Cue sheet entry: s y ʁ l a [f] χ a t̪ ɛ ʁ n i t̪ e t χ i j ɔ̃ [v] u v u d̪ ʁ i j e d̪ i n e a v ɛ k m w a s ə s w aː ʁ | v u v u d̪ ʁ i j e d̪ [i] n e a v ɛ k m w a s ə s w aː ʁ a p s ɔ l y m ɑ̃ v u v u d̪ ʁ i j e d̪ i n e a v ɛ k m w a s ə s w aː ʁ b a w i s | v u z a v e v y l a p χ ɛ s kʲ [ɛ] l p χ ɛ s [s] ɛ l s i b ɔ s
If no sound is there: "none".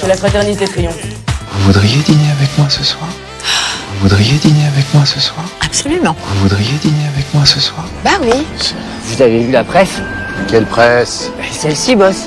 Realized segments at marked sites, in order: f, v, i, ɛ, s

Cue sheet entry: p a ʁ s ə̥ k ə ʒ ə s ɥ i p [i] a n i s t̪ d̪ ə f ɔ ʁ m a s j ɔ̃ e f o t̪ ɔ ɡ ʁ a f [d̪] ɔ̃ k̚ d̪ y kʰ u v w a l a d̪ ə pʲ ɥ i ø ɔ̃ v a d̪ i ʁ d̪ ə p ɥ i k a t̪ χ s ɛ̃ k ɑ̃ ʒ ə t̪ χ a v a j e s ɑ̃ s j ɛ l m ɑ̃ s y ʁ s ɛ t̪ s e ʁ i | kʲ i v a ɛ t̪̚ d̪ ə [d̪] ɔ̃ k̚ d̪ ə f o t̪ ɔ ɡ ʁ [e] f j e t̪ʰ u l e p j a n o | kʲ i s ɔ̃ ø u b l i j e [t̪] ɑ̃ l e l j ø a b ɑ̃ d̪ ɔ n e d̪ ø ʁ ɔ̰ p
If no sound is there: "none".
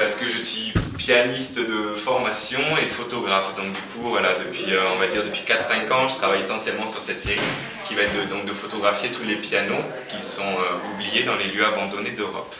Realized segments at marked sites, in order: j, d̪, d̪, a, d̪

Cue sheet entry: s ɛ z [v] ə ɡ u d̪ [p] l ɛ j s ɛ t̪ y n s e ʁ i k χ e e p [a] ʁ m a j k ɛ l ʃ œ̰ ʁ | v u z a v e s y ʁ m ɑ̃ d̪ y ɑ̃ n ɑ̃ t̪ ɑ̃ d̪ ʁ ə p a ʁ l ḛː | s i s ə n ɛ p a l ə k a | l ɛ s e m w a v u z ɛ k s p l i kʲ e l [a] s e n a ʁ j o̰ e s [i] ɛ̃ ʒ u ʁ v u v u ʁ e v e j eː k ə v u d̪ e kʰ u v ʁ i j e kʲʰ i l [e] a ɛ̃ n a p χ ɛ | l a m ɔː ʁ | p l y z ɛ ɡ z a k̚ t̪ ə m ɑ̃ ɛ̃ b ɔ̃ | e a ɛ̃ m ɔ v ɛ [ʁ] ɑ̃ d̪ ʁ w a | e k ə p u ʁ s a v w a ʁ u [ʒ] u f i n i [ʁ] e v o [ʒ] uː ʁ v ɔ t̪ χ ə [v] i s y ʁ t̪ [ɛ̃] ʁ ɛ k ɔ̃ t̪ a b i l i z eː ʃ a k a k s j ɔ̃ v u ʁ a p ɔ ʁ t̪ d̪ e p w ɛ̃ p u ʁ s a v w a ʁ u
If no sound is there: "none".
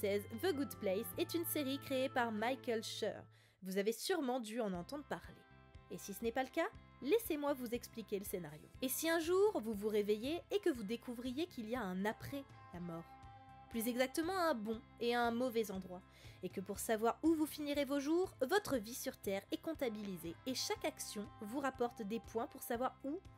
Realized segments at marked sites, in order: v, p, a, ə, i, i, z, v, ʁ, ʒ, v, ɛ

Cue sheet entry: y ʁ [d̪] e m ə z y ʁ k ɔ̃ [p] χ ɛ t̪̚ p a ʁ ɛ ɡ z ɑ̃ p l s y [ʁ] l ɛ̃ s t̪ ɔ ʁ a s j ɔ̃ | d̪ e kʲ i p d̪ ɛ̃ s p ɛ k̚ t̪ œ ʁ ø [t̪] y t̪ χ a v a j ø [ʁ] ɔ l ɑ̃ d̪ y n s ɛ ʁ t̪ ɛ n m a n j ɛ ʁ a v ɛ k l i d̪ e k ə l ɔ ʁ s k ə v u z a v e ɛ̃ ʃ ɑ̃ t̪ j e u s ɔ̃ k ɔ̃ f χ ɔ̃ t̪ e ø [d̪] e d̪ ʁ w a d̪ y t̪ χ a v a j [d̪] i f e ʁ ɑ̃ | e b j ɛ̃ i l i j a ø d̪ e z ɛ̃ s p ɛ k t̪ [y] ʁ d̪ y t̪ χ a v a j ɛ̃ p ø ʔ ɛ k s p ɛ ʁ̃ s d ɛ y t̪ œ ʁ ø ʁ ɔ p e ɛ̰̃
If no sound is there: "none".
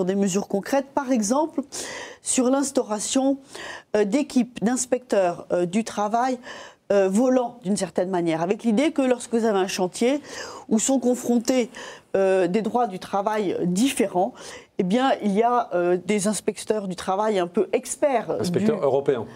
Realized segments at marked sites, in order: d̪, k, ʁ, d̪, v, d̪, d̪, œ

